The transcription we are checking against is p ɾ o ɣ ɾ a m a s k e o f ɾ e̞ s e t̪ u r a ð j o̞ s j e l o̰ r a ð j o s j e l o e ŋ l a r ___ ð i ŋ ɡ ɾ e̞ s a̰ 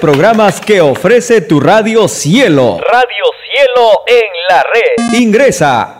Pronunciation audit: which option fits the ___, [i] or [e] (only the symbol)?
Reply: e